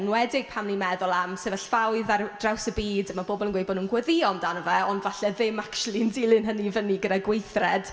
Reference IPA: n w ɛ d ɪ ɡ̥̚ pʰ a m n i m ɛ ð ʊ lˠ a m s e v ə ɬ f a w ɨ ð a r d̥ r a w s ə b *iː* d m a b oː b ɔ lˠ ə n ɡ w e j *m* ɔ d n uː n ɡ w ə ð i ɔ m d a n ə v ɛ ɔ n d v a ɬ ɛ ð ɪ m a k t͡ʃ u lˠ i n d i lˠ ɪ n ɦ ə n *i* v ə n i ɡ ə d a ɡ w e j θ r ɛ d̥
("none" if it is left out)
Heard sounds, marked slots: iː, b, i

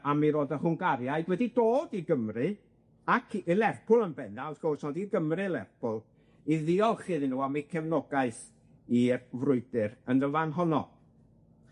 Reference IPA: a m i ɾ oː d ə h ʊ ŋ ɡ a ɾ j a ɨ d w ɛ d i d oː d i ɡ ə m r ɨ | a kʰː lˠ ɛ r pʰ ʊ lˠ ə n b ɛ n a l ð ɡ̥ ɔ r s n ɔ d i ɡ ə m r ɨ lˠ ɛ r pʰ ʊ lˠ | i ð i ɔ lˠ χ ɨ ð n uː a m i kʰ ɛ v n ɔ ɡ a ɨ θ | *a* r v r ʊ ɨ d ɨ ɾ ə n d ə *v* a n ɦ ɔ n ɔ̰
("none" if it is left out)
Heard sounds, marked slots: i, v

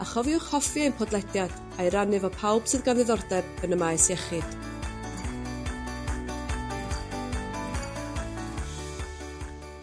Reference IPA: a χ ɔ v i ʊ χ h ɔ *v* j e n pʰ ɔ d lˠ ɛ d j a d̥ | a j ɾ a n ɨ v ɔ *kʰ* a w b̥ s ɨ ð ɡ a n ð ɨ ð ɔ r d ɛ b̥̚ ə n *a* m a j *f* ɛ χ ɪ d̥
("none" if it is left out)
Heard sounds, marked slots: f, pʰ, ə, s

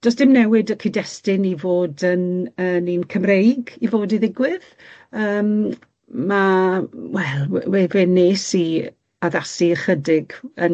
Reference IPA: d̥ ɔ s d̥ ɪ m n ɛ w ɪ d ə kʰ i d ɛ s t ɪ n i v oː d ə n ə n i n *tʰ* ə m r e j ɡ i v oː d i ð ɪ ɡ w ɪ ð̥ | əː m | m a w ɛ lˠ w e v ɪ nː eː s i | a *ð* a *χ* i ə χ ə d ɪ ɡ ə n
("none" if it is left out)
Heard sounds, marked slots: kʰ, ð, s

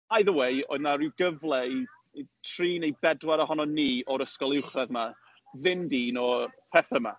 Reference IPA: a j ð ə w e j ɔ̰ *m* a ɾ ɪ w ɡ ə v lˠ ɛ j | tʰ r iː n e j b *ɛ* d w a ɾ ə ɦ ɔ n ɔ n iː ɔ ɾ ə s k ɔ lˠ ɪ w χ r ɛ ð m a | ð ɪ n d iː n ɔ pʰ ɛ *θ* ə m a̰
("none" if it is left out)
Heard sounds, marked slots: n, ɛ, θ

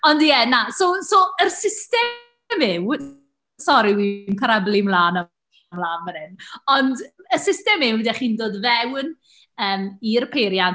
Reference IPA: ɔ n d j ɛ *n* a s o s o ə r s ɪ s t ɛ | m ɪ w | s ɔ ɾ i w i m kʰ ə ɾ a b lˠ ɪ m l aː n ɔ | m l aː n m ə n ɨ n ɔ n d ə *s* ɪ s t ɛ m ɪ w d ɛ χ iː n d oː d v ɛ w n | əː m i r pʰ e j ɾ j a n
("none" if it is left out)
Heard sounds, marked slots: n, s

